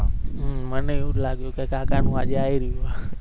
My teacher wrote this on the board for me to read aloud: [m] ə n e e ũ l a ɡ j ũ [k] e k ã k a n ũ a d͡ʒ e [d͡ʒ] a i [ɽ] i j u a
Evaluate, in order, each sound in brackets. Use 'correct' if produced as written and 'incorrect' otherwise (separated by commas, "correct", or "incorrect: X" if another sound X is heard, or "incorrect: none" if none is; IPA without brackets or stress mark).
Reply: correct, correct, incorrect: none, incorrect: ɾ